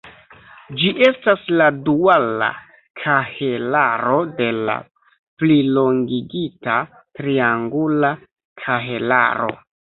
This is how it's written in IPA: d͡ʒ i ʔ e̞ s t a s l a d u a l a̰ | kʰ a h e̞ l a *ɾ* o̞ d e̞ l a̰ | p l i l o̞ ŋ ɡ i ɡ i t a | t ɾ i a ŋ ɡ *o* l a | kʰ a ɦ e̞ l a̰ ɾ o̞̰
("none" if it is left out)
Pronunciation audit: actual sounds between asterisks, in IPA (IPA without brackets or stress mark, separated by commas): ɾ, u